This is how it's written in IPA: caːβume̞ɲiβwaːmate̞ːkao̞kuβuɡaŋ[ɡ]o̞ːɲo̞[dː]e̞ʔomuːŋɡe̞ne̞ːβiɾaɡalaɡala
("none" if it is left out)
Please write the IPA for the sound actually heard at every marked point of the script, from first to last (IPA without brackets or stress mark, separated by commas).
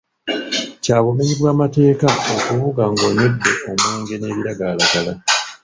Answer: ɡ, dː